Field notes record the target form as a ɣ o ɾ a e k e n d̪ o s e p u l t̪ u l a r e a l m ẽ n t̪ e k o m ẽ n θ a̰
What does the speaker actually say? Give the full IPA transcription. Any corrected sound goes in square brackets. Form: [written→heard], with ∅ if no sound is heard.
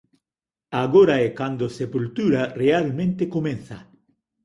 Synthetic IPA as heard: a ɣ o ɾ a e k [e→a] n d̪ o s e p u l t̪ u [l→ɾ] a r e a l m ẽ n t̪ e k o m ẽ n θ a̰